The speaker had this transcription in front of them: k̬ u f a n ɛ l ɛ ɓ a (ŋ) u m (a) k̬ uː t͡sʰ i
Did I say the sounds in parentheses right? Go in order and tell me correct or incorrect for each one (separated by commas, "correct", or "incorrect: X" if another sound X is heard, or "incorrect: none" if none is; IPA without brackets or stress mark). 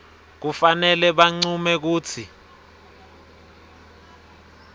incorrect: ŋ͡ǀ, incorrect: ɛ